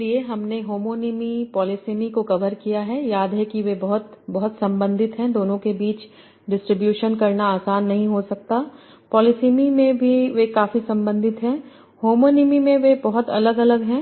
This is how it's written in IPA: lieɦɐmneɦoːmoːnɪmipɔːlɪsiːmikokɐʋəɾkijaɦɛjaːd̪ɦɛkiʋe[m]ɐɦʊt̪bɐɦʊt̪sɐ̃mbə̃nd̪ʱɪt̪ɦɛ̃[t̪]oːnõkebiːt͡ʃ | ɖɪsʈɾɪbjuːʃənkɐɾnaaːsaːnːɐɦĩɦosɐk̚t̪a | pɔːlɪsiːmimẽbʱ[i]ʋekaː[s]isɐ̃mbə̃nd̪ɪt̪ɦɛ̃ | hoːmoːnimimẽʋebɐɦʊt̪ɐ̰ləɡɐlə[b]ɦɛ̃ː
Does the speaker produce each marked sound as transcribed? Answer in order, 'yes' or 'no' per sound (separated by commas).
no, no, yes, no, no